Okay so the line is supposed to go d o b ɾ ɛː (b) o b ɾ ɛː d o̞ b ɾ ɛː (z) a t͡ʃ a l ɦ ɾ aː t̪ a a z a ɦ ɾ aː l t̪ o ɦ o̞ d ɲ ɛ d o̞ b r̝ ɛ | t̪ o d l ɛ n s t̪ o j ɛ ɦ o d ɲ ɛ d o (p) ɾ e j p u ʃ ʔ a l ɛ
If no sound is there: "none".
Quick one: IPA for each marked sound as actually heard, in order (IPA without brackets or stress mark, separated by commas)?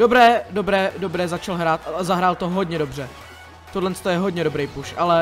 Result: d, z, b